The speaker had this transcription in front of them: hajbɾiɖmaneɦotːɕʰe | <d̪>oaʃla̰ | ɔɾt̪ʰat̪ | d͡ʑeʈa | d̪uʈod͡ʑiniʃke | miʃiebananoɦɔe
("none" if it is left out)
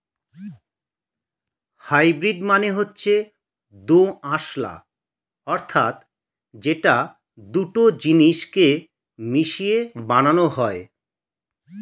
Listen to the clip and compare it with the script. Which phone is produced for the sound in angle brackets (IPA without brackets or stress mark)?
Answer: d̪